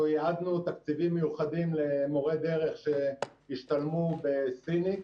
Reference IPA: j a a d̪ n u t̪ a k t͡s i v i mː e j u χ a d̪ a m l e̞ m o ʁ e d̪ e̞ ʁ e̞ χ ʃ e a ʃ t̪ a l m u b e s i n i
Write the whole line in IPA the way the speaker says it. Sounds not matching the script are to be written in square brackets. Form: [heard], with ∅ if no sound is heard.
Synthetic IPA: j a a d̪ n u t̪ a k t͡s i v i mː e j u χ a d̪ [i] m l e̞ m o ʁ e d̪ e̞ ʁ e̞ χ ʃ e [i] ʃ t̪ a l m u b e s i n i